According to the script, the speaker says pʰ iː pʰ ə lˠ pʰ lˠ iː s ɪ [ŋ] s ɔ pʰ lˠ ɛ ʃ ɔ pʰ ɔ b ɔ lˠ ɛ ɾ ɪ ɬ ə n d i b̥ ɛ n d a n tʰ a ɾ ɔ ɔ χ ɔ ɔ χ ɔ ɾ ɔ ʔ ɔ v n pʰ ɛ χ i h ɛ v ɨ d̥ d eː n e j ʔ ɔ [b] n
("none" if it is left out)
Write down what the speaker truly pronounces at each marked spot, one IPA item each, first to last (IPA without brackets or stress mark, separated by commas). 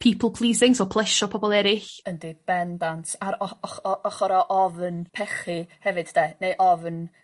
ŋ, v